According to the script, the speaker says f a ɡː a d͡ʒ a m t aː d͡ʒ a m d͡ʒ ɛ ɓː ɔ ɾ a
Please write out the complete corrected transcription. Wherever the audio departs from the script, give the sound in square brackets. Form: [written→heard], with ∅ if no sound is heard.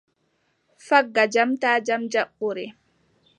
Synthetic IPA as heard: f a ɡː a d͡ʒ a m t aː d͡ʒ a m d͡ʒ [ɛ→a] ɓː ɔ ɾ [a→ɛ]